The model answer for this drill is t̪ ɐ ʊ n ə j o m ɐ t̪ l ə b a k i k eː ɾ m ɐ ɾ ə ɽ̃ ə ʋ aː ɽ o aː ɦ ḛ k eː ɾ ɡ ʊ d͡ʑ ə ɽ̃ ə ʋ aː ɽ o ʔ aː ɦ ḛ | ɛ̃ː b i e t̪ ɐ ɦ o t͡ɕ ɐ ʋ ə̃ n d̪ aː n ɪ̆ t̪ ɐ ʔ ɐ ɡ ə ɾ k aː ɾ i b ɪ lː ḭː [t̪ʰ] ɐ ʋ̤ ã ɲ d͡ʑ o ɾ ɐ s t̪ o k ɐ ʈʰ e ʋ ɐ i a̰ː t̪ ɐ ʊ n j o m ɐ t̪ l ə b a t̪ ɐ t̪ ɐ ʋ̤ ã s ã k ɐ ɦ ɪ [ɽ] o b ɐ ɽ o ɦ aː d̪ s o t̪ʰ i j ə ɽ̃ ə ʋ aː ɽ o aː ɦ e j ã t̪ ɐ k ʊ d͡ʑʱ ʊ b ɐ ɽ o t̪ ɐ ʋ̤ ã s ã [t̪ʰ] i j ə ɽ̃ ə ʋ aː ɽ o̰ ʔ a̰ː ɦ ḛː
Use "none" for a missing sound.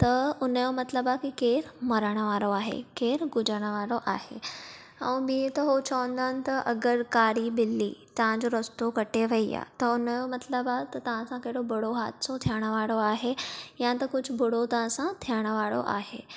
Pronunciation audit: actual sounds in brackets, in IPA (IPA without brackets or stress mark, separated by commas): t̪, ɽ, t̪ʰ